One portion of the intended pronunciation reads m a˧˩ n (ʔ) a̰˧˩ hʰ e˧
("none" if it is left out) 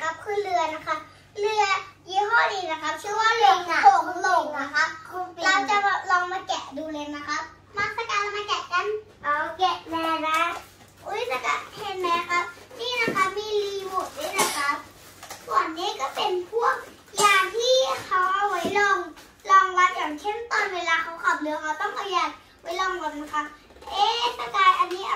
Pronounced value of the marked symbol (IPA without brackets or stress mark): k